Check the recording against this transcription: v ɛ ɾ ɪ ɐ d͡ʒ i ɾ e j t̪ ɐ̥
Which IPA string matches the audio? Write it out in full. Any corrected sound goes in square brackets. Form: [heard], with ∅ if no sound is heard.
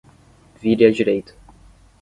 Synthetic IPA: v [i] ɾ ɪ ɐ d͡ʒ i ɾ e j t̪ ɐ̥